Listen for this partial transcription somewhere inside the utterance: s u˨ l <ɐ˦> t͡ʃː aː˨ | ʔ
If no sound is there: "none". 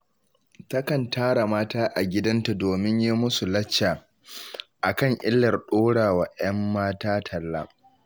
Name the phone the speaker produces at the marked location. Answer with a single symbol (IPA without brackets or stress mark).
ɐ˦